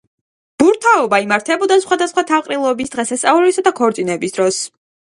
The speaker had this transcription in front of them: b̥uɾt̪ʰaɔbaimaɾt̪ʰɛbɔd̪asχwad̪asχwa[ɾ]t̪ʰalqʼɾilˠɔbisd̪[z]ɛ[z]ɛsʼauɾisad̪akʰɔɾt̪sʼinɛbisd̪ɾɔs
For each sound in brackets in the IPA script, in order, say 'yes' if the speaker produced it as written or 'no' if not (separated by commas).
no, no, no